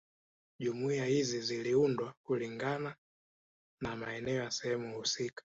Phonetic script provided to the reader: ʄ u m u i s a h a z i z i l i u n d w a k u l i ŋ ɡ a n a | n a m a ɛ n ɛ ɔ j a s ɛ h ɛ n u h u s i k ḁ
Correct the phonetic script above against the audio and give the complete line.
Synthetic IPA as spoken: ʄ u m u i a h i z i z i l i u n d w a k u l i ŋ ɡ a n a | n a m a ɛ n ɛ ɔ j a s ɛ h ɛ m u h u s i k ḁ